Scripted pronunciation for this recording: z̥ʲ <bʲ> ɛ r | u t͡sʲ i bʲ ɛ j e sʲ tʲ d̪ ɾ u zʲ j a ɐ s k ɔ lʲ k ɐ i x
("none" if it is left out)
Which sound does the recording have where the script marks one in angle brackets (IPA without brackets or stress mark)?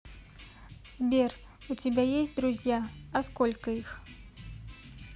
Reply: bʲ